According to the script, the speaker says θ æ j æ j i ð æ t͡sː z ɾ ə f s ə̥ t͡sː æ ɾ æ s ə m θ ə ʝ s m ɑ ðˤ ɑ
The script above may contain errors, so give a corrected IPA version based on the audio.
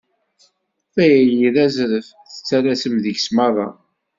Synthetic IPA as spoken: θ æ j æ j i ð æ z ɾ ə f θ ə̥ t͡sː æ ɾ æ s ə m ð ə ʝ s m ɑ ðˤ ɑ